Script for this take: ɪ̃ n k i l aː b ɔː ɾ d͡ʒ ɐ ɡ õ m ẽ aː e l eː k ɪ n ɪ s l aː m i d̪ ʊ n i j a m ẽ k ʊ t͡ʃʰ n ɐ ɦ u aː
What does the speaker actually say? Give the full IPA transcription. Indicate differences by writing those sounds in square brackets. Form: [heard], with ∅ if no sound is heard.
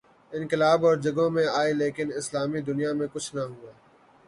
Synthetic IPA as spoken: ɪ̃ n k [ɪ] l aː b ɔː ɾ d͡ʒ ɐ ɡ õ m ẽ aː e l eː k ɪ n ɪ s l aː m i d̪ ʊ n i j a m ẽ k ʊ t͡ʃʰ n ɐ ɦ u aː